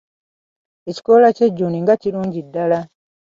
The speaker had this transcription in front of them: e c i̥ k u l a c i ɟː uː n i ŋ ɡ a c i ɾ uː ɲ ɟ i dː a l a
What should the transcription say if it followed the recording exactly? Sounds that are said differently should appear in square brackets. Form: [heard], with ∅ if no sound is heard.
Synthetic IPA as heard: e c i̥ k [o] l a c [e] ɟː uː n i ŋ ɡ a c i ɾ uː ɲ ɟ i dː a l a